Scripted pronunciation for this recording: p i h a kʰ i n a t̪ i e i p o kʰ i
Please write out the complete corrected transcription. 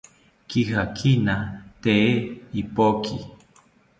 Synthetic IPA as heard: k i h a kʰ i n a t̪ e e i p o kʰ i